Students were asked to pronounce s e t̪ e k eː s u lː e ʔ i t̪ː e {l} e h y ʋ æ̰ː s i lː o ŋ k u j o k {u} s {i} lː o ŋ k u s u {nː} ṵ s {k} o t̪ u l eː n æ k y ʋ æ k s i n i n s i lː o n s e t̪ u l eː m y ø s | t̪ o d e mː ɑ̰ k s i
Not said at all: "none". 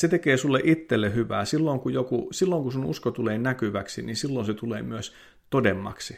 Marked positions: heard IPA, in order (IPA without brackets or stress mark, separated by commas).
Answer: lː, u, i, n, k